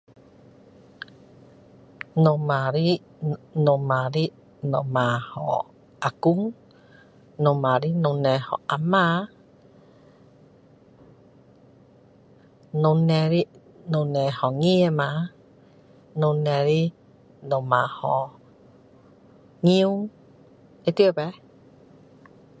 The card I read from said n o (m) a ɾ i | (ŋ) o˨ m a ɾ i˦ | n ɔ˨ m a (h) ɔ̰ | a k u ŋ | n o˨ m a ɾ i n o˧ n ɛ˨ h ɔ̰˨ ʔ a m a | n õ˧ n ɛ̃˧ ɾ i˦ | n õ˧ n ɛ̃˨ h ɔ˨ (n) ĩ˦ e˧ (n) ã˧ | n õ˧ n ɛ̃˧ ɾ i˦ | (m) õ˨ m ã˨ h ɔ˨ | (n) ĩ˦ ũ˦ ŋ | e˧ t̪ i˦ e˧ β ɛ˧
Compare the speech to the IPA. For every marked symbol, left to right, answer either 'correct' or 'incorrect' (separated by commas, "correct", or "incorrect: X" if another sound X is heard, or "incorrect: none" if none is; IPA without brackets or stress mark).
correct, incorrect: n, correct, incorrect: ŋ, incorrect: m, incorrect: n, incorrect: ŋ